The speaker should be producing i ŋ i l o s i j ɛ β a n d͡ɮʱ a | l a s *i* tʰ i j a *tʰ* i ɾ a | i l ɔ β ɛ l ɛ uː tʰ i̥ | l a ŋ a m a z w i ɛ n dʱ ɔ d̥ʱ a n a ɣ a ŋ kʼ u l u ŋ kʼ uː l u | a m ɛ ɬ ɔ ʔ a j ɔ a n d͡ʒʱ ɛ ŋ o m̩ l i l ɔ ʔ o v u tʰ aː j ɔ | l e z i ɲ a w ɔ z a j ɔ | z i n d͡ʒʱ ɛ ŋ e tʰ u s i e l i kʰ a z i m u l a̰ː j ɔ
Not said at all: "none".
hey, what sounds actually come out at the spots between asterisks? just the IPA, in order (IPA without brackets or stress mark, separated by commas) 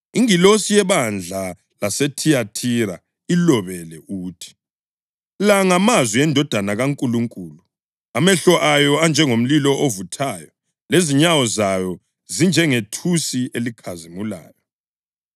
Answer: e, tʰ